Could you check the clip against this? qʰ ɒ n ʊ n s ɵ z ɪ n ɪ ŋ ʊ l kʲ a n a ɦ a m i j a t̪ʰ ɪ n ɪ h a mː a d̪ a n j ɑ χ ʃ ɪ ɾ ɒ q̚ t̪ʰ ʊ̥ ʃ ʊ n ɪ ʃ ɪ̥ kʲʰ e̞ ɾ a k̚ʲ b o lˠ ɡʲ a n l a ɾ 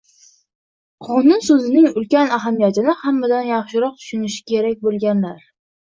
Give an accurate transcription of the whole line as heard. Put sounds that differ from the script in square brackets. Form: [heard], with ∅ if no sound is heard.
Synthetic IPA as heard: qʰ ɒ n ʊ n s ɵ z ɪ n ɪ ŋ ʊ l kʲ a n a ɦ a m i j a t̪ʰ ɪ n ɪ h a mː a d̪ a n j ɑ χ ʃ ɪ ɾ ɒ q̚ t̪ʰ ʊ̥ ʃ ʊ n ɪ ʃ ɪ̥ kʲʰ e̞ ɾ a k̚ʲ b o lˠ ɡʲ a n l a ɾ